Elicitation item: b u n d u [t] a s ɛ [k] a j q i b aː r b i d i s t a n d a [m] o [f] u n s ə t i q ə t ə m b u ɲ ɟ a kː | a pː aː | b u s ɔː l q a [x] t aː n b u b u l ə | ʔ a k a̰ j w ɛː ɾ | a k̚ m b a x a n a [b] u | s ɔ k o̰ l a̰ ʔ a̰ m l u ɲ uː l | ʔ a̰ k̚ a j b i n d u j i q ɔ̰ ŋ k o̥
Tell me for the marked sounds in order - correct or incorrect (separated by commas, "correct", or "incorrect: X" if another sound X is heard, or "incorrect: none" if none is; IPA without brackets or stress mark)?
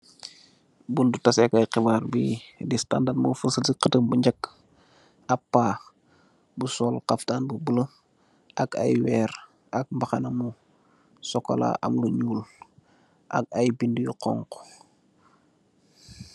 correct, correct, correct, correct, incorrect: f, incorrect: m